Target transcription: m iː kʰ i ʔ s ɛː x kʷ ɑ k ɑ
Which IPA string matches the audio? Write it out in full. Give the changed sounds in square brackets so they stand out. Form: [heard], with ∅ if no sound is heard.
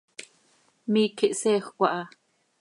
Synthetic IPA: m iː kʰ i ʔ s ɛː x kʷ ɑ [ʔ] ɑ